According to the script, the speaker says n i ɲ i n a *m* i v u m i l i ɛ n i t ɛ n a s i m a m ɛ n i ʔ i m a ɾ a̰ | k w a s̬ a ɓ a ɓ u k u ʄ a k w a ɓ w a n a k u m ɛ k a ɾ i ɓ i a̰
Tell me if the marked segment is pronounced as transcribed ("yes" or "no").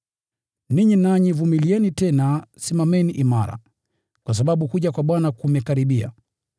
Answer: no